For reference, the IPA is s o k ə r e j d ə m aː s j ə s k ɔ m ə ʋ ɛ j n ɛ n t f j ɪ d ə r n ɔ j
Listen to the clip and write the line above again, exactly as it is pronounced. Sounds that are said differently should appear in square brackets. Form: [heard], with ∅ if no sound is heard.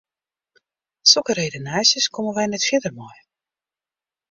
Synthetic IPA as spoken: s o k ə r e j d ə [n] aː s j ə s k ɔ m ə ʋ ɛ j n ɛ [∅] t f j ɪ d ə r [m] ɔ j

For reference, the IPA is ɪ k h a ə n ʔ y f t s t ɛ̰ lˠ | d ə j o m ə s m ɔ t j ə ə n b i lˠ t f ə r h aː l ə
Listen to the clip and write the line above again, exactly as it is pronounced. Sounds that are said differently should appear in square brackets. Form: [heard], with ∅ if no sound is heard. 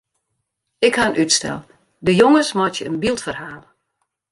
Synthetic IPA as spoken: ɪ k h a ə n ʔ y [∅] t s t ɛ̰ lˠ | d ə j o [ŋ] ə s m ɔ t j ə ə n b i lˠ t f ə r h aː l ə

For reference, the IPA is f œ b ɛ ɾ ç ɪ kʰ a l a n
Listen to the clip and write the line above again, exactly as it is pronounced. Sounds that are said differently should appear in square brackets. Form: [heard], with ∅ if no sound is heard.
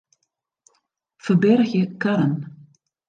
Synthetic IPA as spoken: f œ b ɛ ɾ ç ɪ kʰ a [ɾ] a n

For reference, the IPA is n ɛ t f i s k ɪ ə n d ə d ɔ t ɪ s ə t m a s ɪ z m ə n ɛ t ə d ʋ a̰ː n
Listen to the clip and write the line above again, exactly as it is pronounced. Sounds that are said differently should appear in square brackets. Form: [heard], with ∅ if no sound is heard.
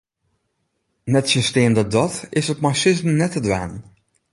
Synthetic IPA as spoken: n ɛ t [s] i s [t] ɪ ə n d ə d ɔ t ɪ s ə t m a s ɪ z m ə n ɛ t ə d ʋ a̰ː n

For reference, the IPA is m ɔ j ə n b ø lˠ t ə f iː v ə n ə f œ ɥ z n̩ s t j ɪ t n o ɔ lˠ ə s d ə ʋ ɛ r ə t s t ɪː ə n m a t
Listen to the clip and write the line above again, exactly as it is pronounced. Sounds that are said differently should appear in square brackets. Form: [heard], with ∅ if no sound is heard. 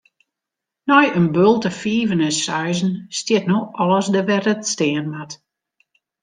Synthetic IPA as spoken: [n] ɔ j ə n b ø lˠ t ə f iː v ə n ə [s] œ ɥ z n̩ s t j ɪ t n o ɔ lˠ ə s d ə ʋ ɛ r ə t s t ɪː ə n m a t

